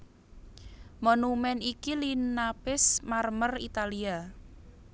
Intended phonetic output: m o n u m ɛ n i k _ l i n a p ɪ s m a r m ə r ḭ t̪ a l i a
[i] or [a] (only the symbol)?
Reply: i